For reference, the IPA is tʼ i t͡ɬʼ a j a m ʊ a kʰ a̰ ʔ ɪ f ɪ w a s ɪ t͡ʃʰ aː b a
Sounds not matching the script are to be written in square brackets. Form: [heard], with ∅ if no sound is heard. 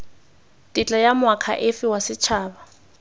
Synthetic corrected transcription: tʼ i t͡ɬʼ a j a m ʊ a kʰ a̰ ʔ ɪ f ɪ w a s ɪ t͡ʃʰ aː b a